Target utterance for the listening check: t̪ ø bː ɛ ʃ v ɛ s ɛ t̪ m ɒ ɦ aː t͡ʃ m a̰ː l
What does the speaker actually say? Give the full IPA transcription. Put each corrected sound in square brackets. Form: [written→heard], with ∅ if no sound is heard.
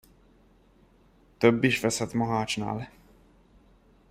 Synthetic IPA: t̪ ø bː [ɛ→i] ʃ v ɛ s ɛ t̪ m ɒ ɦ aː t͡ʃ [m→n] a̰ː l